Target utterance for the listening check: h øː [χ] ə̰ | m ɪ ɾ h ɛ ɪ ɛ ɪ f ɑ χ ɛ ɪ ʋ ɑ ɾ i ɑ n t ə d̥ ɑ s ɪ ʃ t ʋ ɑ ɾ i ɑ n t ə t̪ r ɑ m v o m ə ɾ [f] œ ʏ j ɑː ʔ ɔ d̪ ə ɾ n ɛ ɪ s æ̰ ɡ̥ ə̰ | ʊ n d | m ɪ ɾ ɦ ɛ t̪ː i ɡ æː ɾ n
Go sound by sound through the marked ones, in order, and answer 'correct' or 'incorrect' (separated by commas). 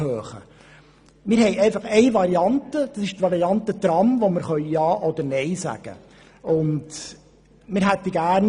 correct, incorrect